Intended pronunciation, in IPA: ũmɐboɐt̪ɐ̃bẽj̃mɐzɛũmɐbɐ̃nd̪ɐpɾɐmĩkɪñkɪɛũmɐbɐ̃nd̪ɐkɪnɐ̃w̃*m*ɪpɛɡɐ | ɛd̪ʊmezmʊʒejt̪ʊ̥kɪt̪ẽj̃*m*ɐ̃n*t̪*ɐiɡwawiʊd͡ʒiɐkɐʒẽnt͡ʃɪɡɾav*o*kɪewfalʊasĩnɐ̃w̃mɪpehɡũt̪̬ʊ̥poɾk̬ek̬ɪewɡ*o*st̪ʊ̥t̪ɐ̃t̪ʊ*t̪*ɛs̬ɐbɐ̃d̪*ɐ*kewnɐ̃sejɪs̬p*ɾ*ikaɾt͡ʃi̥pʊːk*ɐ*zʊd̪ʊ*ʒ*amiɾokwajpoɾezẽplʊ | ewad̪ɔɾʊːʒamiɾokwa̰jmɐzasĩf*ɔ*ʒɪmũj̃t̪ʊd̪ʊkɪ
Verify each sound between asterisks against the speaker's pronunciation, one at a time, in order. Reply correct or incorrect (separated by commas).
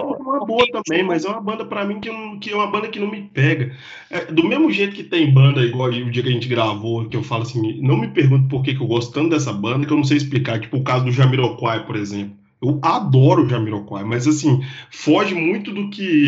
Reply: correct, incorrect, incorrect, correct, incorrect, incorrect, correct, incorrect, incorrect, correct, correct